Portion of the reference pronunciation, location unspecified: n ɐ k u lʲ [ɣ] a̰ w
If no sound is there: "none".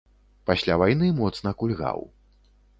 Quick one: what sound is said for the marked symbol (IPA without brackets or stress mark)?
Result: ɣ